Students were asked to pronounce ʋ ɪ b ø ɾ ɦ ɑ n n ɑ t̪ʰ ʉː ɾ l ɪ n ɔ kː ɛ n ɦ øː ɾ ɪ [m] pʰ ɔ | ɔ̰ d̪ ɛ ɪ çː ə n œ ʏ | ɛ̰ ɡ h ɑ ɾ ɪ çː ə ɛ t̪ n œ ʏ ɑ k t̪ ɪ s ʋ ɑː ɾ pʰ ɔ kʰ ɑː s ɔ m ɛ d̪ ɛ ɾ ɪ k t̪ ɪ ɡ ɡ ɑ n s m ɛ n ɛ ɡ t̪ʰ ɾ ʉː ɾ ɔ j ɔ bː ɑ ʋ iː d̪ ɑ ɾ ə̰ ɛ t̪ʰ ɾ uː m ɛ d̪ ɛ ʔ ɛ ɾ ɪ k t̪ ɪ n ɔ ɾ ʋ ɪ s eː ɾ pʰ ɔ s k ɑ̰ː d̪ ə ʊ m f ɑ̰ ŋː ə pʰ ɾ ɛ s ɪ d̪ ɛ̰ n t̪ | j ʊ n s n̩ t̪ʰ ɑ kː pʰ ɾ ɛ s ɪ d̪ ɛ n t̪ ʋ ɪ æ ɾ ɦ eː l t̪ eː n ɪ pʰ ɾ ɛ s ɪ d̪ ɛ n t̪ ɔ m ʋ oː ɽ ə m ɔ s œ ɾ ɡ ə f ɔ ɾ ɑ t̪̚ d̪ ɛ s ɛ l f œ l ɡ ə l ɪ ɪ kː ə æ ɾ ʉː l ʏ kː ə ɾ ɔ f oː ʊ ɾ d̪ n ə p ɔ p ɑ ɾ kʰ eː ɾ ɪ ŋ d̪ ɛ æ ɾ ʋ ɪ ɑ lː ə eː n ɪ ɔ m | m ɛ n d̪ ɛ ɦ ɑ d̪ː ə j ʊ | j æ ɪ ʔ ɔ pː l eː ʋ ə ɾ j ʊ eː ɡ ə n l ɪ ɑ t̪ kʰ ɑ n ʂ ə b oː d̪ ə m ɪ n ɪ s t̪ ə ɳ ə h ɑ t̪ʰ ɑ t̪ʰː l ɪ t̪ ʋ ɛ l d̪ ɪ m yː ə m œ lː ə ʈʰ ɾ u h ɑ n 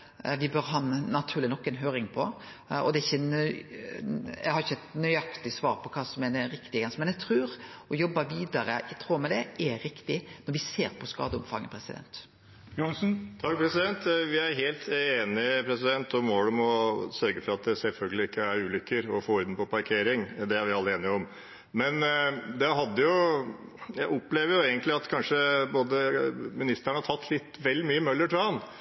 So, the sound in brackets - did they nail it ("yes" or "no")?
no